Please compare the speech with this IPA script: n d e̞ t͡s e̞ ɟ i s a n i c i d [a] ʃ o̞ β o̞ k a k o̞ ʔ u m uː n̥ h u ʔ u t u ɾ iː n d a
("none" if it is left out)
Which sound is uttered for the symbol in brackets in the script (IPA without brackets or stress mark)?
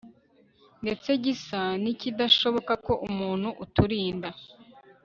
a